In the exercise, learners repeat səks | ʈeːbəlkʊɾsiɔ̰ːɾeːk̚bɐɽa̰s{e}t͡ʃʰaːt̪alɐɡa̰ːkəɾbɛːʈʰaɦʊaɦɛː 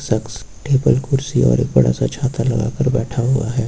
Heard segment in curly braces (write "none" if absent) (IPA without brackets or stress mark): a